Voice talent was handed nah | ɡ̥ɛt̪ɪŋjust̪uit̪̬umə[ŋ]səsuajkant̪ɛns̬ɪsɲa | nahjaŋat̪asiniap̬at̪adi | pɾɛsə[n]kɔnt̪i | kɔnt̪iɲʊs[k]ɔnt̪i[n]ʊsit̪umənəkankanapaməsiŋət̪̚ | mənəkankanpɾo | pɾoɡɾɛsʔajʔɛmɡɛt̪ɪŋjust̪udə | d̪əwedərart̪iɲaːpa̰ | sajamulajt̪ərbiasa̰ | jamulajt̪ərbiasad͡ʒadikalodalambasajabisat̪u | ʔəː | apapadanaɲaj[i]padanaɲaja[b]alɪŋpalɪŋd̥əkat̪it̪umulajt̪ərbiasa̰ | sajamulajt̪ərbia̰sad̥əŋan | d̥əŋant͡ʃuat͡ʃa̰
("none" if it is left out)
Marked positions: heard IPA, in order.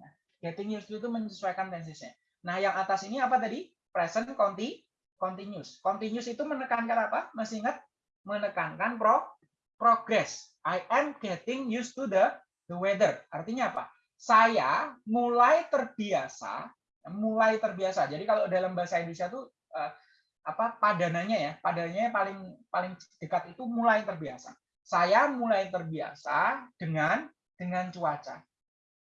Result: ɲ, n, k, ɲ, a, p

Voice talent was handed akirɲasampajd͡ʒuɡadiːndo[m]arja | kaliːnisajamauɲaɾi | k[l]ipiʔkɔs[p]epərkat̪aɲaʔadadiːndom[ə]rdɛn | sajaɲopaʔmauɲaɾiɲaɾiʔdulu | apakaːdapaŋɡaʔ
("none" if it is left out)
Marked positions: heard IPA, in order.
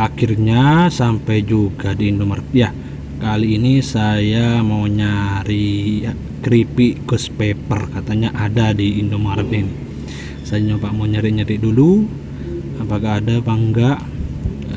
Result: m, ɾ, p, a

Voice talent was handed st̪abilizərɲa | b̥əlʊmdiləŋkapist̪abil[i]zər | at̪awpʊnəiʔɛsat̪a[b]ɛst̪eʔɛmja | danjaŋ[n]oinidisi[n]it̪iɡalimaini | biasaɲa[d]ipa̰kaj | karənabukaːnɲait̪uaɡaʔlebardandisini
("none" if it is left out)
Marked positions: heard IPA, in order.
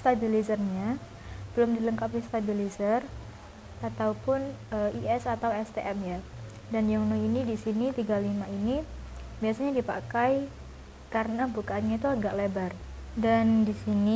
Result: i, w, n, n, d

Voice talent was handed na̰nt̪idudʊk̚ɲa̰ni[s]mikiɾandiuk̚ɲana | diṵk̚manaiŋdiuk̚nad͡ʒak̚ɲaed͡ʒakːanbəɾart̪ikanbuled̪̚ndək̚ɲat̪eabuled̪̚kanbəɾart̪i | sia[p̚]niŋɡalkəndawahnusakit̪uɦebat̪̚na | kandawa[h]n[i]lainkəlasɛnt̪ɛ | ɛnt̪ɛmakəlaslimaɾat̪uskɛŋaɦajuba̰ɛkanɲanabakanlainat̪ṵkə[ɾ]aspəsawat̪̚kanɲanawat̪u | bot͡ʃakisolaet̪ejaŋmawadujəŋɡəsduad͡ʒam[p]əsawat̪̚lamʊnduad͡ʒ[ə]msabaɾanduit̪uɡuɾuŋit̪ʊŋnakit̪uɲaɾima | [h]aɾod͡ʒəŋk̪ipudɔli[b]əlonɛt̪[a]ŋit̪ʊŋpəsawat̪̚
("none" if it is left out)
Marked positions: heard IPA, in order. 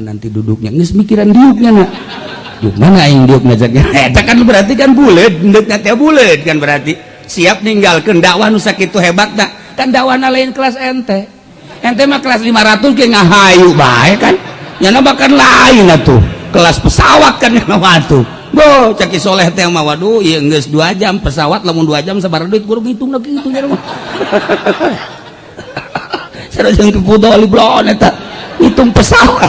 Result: s, p̚, h, a, l, p, a, s, b, a

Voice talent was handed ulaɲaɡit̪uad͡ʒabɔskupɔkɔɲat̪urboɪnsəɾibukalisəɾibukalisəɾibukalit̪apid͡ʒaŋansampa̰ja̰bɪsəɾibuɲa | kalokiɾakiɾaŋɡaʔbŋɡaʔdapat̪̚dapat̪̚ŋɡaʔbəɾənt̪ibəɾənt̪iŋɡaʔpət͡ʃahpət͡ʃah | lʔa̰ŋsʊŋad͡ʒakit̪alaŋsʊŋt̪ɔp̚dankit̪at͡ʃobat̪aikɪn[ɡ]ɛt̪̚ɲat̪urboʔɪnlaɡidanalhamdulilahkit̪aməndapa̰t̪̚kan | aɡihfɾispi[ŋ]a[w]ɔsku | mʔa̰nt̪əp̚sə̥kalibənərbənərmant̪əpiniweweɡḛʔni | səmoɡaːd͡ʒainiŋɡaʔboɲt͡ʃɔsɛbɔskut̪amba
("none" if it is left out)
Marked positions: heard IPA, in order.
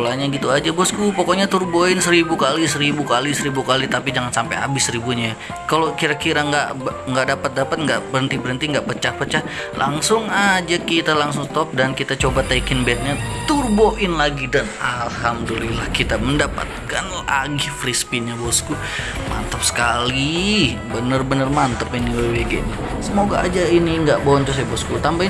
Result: b, ɲ, b

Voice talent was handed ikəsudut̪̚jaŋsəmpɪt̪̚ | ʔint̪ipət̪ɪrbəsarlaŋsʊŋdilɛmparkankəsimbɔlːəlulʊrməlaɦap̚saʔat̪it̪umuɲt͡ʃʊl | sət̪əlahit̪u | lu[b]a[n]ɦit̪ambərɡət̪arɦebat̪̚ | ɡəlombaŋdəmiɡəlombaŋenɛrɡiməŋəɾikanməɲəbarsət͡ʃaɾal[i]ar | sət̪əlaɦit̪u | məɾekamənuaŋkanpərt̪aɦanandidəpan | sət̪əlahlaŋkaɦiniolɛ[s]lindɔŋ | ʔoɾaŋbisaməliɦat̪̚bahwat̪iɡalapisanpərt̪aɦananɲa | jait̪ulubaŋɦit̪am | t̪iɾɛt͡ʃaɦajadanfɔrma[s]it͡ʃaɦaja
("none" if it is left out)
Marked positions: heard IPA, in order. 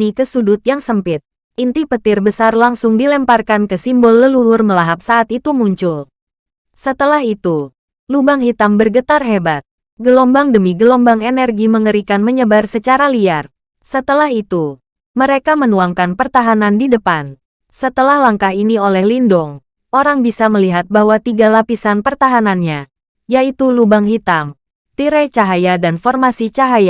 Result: b, ŋ, i, h, s

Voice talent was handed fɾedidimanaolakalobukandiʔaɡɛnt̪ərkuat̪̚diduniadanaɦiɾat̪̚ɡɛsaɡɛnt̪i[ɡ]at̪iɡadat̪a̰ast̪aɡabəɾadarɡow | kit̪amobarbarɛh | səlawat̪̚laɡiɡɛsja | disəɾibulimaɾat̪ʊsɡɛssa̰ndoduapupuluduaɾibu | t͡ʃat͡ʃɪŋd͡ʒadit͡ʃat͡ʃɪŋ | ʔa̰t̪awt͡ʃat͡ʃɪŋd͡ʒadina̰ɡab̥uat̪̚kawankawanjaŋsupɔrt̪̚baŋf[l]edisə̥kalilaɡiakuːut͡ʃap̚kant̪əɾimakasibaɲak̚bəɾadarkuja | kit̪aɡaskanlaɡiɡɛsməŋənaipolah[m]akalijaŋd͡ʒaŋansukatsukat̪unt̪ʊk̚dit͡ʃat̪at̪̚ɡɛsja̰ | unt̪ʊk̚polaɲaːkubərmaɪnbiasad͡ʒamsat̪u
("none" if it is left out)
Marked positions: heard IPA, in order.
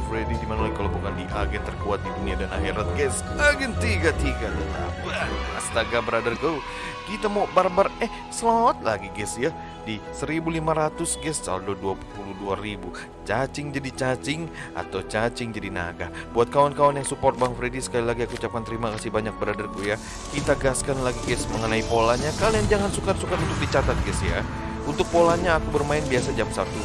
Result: ɡ, ɾ, ɲ

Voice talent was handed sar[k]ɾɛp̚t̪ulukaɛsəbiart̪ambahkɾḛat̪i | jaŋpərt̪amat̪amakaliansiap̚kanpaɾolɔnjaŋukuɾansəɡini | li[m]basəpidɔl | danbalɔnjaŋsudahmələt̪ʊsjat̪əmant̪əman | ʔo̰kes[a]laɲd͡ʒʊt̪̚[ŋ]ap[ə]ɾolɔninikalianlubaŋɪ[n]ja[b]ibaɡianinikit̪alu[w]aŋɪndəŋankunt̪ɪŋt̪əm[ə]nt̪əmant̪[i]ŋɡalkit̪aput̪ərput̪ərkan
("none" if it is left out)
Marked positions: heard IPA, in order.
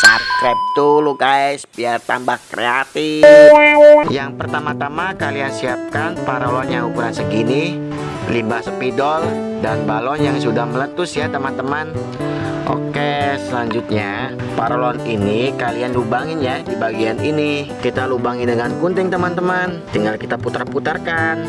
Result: k, m, ə, ɲ, a, n, d, b, a, i

